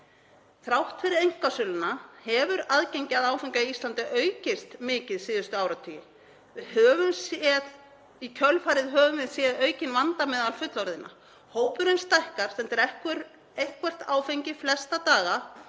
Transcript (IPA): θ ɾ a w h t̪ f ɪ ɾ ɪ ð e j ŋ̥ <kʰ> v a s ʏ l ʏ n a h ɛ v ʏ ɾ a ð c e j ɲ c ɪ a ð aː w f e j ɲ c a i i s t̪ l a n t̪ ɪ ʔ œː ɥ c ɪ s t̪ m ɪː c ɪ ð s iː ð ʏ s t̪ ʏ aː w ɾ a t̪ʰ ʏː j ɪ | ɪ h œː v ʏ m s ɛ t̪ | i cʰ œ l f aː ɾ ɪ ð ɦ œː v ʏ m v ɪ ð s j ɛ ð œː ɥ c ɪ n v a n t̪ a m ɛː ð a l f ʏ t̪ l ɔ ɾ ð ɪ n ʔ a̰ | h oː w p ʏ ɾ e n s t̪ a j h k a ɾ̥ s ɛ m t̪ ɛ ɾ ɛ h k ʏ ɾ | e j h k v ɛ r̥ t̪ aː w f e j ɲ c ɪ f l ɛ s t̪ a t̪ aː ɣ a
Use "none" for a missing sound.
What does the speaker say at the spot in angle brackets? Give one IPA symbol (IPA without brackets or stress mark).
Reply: k